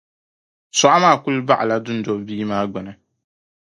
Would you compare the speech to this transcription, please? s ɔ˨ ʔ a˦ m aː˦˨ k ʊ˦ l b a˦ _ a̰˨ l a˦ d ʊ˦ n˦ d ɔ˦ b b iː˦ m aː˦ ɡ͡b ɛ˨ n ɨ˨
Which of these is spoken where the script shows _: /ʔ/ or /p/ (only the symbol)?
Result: ʔ